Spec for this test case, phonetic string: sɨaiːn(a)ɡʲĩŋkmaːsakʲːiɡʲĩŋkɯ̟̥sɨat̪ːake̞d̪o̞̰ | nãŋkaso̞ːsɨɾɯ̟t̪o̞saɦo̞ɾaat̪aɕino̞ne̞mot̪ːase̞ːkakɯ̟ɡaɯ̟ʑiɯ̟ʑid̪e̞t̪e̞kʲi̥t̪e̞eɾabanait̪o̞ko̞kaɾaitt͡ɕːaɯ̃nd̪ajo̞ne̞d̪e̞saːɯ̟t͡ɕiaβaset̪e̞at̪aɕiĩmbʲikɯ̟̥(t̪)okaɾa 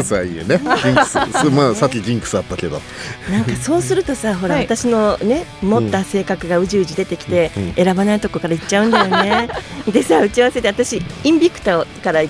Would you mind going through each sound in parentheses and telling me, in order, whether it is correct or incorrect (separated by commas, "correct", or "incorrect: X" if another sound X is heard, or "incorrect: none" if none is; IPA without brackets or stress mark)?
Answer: incorrect: e, correct